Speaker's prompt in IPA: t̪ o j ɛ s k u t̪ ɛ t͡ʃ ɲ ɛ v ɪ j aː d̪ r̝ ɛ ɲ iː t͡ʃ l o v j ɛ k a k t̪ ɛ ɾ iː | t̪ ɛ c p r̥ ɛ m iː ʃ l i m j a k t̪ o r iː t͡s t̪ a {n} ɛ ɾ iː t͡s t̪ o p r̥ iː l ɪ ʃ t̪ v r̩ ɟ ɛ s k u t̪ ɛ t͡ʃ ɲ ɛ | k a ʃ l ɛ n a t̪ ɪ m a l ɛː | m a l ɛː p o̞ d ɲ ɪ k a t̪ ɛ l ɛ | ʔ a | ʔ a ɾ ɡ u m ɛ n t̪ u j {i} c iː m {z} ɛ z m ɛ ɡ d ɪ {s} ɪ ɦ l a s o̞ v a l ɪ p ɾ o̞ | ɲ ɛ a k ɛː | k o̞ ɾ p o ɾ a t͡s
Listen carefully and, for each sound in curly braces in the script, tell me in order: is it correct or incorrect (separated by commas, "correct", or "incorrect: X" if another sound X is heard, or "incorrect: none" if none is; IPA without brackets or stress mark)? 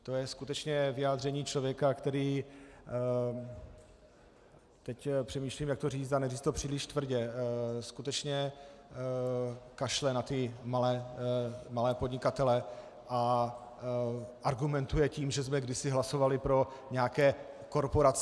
correct, incorrect: ɛ, incorrect: ʒ, correct